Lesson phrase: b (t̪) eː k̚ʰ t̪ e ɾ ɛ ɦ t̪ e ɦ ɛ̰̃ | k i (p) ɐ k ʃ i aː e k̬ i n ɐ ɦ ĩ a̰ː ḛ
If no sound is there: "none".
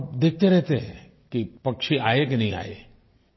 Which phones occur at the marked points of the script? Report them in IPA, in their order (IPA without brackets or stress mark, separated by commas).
d̪, p